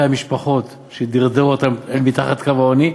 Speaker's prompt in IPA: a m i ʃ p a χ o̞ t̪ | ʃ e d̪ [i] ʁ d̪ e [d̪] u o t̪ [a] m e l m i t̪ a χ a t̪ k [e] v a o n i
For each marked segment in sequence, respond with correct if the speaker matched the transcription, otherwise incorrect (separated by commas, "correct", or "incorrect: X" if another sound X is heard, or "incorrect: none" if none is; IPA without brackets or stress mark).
correct, incorrect: none, correct, incorrect: a